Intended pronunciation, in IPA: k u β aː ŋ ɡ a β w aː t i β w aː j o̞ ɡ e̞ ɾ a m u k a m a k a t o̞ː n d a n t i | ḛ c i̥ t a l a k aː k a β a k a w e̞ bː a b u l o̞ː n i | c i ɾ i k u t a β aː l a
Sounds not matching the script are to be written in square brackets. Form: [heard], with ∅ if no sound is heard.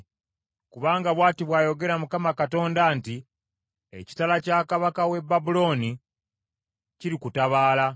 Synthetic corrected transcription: k u β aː ŋ ɡ a β w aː t i β w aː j o̞ ɡ e̞ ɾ a m u k a m a k a t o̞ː n d a n t i | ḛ c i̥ t a l a [c] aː k a β a k a w e̞ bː a b u l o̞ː n i | c i ɾ i k u t a β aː l a